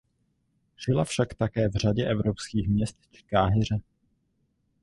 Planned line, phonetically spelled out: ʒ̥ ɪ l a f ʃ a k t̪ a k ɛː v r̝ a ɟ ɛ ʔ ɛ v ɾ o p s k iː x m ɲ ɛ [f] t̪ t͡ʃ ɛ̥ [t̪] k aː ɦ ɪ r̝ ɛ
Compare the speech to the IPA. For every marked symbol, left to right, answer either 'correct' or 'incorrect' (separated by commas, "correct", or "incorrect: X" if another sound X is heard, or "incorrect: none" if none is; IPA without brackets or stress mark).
incorrect: s, incorrect: none